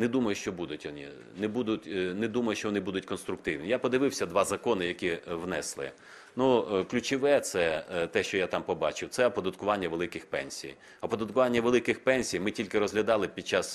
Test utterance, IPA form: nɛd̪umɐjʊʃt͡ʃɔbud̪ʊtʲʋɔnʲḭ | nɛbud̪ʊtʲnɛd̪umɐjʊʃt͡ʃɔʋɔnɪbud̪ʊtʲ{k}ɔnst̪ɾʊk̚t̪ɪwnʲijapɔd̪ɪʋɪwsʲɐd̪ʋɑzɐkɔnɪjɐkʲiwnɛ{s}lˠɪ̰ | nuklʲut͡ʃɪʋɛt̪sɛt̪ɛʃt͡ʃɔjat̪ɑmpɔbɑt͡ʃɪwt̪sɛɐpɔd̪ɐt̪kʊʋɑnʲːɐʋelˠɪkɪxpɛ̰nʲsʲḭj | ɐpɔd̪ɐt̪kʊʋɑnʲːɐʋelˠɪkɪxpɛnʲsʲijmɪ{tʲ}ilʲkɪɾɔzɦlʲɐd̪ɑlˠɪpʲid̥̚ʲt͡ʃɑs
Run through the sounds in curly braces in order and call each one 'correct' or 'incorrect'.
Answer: correct, correct, correct

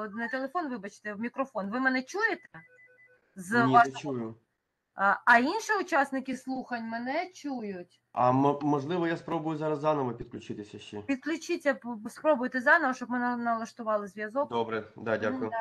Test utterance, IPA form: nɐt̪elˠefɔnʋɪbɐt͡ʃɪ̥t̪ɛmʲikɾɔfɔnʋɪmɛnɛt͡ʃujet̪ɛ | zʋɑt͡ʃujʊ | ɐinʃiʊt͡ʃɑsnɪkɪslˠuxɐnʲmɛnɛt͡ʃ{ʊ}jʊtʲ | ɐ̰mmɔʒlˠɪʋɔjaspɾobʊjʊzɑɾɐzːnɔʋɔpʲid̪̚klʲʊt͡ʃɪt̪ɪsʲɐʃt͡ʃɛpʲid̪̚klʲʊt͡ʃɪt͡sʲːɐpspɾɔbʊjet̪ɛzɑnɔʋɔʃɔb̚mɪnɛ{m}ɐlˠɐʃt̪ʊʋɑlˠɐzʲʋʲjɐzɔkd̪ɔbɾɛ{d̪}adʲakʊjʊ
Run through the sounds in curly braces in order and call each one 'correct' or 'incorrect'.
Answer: incorrect, incorrect, correct

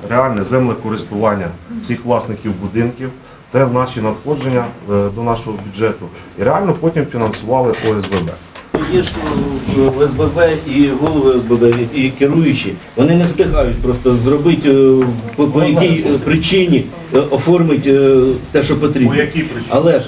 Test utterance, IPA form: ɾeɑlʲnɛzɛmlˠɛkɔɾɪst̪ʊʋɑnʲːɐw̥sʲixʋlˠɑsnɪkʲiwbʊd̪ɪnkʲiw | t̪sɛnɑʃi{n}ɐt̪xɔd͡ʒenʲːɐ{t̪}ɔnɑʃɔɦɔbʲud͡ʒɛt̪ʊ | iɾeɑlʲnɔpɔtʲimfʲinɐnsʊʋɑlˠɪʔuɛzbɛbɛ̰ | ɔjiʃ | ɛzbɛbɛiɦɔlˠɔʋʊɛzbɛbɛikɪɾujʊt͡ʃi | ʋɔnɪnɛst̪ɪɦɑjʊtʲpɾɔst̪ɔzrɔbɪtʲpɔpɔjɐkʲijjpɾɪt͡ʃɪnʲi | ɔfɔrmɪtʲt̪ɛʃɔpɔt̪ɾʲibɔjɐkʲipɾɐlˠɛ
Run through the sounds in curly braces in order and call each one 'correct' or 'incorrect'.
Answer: correct, incorrect

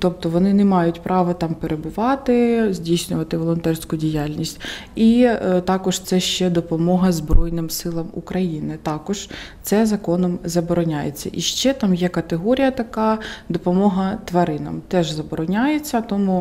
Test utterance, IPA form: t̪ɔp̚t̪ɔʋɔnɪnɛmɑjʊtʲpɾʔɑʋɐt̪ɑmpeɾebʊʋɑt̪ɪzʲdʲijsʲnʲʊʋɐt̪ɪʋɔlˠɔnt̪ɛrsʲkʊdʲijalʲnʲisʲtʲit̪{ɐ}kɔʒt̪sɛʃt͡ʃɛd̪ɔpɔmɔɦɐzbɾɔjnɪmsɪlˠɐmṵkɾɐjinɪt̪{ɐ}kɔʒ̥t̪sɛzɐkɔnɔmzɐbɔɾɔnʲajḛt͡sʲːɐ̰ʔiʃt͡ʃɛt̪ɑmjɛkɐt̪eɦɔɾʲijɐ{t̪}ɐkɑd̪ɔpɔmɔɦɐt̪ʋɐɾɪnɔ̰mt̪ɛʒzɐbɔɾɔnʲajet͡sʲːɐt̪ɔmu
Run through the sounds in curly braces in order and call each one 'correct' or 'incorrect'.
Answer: incorrect, incorrect, correct

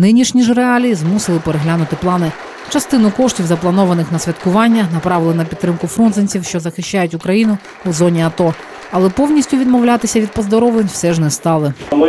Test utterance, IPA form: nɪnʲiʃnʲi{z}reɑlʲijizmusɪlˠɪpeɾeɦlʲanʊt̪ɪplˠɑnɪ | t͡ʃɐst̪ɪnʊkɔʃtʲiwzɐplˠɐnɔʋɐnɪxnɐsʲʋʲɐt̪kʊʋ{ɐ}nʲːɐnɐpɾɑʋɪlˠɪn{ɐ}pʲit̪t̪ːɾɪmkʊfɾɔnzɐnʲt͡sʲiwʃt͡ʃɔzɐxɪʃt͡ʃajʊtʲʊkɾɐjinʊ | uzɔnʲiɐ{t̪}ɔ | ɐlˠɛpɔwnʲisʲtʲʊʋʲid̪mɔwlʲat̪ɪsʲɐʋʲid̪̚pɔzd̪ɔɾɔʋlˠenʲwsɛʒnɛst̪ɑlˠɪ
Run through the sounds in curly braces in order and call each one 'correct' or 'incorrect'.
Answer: incorrect, incorrect, correct, correct

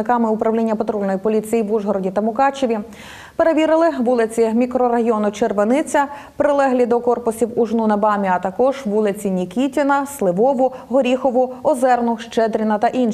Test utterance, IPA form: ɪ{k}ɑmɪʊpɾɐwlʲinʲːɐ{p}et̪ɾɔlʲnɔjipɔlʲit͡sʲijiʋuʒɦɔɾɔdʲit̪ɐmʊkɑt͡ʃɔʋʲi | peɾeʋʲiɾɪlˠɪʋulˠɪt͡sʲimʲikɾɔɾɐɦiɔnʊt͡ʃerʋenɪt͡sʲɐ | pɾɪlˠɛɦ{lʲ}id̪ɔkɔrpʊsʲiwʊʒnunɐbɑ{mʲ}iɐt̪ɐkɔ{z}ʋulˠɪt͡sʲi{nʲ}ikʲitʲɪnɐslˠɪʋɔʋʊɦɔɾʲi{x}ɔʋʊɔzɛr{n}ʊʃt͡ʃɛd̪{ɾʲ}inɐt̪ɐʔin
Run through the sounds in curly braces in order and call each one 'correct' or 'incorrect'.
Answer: correct, correct, correct, correct, incorrect, correct, correct, correct, correct

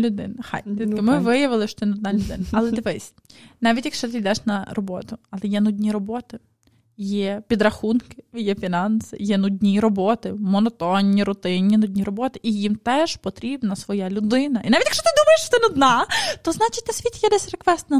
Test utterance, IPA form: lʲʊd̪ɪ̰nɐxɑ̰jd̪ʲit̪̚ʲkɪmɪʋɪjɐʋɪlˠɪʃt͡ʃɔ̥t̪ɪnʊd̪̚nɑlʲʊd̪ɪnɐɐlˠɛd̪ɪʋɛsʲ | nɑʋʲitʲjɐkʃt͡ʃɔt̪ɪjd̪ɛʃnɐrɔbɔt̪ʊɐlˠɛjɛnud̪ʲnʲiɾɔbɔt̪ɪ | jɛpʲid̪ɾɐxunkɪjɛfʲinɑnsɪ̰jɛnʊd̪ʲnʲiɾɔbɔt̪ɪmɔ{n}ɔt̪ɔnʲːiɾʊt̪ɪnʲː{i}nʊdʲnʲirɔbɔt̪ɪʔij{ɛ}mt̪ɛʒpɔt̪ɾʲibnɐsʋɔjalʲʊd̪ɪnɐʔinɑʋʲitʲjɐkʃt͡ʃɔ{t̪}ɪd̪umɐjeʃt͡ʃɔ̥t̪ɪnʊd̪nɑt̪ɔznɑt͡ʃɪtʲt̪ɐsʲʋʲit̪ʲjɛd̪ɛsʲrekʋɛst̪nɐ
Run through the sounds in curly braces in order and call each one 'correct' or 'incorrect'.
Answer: correct, correct, incorrect, correct

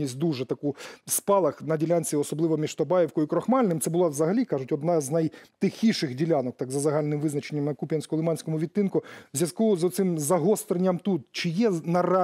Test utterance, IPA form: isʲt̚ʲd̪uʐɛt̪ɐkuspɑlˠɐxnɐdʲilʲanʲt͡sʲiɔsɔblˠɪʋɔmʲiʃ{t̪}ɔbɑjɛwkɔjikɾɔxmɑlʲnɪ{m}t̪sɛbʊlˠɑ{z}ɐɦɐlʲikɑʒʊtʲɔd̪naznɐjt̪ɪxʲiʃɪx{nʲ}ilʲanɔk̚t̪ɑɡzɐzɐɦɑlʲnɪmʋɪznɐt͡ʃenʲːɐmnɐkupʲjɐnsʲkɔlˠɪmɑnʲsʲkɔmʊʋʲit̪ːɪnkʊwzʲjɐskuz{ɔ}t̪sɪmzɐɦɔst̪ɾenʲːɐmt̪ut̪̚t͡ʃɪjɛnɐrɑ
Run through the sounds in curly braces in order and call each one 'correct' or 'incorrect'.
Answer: correct, correct, correct, incorrect, correct

